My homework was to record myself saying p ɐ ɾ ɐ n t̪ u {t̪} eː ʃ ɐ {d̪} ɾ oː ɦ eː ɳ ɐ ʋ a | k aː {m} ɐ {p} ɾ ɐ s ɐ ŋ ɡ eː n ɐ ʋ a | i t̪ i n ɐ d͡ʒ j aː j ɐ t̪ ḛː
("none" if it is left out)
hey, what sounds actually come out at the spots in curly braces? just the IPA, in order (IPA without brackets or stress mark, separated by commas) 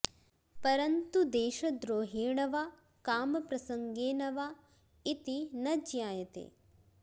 d̪, d̪, m, p